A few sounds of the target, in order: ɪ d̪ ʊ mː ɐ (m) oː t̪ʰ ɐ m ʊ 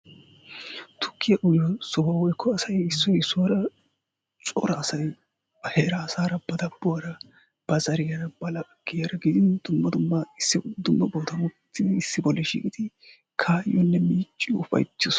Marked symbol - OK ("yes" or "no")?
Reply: no